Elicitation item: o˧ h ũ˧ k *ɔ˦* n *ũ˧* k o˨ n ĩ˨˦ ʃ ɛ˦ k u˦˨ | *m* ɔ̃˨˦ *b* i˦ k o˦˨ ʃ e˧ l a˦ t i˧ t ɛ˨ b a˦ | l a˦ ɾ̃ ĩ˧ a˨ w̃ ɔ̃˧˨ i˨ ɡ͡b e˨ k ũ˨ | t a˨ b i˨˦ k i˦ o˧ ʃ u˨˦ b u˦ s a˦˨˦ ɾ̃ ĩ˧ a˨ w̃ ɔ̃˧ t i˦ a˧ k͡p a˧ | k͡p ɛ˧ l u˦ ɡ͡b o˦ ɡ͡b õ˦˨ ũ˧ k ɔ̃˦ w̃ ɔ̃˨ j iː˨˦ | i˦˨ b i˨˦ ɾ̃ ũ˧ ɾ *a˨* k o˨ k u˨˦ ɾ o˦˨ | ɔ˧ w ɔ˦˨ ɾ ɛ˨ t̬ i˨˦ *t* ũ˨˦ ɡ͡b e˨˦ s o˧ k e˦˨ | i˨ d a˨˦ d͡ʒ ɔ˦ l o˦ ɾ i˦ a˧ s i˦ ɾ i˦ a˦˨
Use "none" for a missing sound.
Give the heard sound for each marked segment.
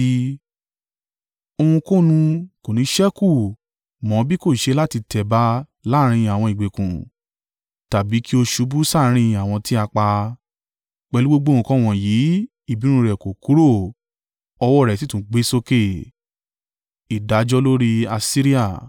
o˦, ũ˧, m, b, ɛ˨, t

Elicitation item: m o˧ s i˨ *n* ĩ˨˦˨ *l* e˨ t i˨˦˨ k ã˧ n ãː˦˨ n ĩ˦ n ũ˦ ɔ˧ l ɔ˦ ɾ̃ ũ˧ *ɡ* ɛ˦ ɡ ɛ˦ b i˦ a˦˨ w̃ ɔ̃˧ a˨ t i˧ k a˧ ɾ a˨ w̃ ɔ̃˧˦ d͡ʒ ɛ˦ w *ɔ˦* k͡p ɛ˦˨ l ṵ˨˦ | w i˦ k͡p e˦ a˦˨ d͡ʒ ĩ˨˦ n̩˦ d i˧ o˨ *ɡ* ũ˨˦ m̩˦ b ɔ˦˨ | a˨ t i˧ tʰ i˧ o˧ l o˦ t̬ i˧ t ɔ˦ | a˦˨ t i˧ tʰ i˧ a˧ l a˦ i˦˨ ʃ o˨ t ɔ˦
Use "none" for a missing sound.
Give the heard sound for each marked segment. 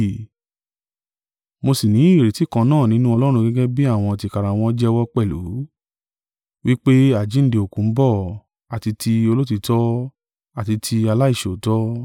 n, ɾ, ɡ, ɔ˦, k

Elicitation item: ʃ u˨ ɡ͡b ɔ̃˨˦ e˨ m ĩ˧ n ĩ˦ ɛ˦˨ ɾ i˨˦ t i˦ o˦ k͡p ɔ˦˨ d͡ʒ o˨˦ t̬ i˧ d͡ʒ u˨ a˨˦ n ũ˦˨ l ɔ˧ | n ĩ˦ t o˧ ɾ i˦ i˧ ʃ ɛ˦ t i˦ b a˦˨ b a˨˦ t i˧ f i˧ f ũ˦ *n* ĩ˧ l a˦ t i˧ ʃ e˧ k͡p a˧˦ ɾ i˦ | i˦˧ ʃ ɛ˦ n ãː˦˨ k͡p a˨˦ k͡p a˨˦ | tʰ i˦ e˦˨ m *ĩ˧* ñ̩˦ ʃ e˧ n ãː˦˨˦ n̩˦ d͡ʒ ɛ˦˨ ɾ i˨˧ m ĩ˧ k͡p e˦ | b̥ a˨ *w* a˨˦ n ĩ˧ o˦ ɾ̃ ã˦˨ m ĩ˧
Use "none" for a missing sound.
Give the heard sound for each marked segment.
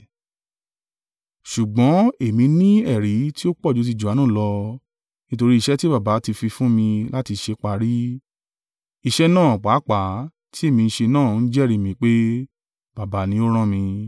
m, ĩ˧, b

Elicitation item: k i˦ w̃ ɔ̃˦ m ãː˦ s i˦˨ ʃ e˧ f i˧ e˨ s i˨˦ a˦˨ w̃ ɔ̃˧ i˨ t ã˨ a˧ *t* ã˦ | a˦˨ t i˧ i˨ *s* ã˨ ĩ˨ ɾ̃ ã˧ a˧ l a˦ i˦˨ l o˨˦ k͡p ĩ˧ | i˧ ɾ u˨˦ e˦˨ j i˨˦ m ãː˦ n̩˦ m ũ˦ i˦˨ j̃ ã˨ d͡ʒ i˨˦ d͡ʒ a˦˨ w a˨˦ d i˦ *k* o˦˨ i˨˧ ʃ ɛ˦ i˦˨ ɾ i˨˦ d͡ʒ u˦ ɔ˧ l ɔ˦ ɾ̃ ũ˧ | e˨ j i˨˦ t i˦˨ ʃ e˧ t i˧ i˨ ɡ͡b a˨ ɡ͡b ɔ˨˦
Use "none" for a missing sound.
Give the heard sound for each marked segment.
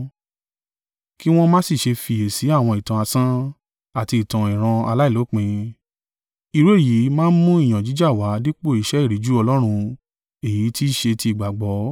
s, t, k͡p

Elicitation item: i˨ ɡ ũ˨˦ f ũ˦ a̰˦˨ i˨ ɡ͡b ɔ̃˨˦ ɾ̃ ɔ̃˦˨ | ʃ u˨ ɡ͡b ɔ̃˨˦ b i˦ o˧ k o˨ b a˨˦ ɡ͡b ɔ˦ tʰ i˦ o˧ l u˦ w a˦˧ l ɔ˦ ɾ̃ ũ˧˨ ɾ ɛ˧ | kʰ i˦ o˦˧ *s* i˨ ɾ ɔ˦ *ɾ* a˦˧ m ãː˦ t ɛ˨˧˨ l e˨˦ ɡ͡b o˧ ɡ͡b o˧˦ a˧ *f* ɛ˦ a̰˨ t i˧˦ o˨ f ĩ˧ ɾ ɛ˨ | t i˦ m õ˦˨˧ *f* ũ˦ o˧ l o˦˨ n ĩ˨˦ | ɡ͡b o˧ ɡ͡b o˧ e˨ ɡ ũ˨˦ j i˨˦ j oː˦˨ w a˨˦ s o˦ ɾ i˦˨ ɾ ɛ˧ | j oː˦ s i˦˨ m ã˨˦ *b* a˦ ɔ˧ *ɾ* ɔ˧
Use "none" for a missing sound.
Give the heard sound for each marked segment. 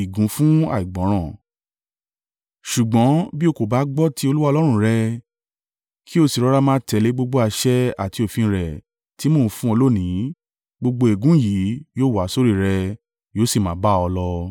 s, ɾ, ʃ, f, b, l

